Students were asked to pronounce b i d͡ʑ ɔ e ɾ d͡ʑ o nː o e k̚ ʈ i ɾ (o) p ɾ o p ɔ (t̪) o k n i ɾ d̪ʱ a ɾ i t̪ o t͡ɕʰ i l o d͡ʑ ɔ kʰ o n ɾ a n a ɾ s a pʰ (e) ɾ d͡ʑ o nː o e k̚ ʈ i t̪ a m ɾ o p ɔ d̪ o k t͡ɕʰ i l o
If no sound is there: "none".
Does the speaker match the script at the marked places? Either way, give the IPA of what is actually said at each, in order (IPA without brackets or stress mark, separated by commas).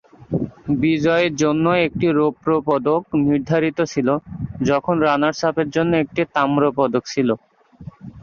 o, d̪, e